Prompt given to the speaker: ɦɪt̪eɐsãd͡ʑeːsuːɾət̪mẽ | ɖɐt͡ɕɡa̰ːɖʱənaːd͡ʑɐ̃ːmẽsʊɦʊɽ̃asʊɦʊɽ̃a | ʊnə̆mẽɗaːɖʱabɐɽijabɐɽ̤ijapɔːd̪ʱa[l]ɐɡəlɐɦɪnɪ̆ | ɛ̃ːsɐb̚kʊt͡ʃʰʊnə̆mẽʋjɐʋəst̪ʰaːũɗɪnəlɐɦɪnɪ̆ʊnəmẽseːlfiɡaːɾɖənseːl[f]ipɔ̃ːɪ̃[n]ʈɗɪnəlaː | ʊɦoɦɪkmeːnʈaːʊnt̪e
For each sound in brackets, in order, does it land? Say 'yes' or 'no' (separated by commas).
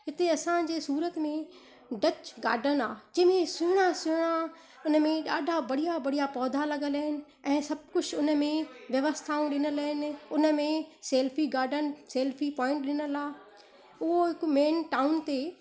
yes, yes, no